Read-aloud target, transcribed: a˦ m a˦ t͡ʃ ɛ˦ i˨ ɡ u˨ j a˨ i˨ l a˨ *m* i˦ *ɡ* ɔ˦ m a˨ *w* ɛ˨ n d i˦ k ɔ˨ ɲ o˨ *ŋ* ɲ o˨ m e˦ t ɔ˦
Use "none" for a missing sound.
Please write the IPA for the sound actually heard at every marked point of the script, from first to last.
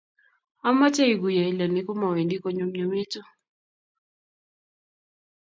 n, k, w, m

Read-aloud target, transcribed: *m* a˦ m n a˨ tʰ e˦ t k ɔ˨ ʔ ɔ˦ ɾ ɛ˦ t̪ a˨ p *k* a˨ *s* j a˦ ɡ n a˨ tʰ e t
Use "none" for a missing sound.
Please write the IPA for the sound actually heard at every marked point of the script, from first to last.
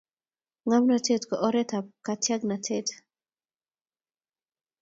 ŋ, k, t

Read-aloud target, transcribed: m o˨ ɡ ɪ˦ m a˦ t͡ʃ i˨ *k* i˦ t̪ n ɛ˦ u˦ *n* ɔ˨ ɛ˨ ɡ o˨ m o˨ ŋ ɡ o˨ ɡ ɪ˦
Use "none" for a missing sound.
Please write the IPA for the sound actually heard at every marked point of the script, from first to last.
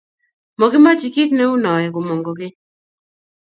k, n

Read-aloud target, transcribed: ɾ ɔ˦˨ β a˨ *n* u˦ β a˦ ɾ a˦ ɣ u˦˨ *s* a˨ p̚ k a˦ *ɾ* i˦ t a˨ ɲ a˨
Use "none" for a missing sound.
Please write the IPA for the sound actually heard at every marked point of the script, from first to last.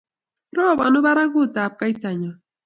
n, t, none

